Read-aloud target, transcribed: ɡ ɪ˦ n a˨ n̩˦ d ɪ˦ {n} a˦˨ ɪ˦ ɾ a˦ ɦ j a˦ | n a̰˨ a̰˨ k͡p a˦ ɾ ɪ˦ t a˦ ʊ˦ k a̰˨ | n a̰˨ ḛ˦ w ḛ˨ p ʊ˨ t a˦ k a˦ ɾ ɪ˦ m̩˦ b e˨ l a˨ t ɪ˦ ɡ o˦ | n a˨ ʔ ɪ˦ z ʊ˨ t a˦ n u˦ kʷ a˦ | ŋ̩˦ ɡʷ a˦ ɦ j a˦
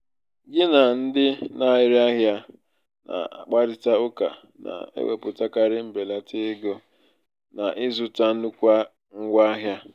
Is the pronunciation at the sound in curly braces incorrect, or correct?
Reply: correct